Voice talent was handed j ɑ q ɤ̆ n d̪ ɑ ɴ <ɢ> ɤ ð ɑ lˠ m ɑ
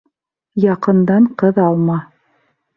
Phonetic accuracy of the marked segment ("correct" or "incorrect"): incorrect